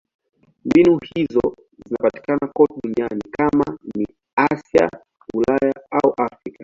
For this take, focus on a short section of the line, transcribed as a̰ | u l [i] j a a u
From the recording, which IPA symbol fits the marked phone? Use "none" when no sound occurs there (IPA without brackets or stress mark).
a